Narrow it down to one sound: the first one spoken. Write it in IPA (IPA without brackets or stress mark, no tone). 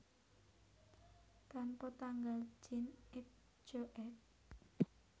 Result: t̪